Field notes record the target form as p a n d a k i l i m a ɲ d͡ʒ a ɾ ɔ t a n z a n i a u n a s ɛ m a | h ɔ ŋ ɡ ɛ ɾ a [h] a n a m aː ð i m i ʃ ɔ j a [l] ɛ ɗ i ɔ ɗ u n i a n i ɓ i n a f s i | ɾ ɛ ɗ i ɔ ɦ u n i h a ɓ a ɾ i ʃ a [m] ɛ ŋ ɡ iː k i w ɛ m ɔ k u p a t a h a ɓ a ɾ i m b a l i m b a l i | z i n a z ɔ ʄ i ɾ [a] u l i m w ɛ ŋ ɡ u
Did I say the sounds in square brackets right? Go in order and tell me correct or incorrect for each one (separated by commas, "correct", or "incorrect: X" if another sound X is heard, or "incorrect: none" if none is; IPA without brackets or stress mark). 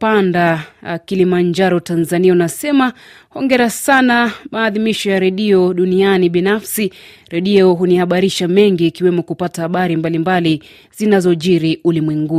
incorrect: s, incorrect: ɾ, correct, incorrect: i